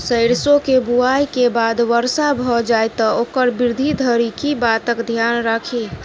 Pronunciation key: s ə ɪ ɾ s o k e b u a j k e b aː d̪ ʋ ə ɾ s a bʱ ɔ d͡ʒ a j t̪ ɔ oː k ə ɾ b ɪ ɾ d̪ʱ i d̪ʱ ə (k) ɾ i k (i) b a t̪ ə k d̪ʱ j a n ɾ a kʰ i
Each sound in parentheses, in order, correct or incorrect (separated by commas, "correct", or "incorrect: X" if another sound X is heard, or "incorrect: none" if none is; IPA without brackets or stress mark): incorrect: none, correct